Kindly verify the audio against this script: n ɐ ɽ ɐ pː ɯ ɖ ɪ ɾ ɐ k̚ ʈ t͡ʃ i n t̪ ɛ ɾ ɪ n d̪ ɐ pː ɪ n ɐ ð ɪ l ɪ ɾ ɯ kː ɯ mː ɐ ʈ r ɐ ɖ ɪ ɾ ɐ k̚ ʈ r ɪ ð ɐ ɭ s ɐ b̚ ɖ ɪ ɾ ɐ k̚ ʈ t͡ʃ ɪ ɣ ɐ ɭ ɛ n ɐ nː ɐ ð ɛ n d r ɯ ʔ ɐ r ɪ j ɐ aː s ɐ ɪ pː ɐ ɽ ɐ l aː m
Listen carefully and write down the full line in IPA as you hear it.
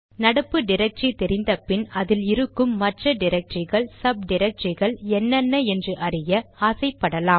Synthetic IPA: n ɐ ɽ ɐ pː ɯ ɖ ɪ ɾ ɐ k̚ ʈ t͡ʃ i t̪ ɛ ɾ ɪ n d̪ ɐ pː ɪ n ɐ ð ɪ l ɪ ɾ ɯ kː ɯ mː ɐ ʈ r ɐ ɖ ɪ ɾ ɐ k̚ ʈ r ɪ ɣ ɐ ɭ s ɐ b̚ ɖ ɪ ɾ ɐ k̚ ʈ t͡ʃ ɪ ɣ ɐ ɭ ɛ nː ɐ nː ɐ ɛ n d r ɯ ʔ ɐ r ɪ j ɐ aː s ɐ ɪ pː ɐ ɽ ɐ l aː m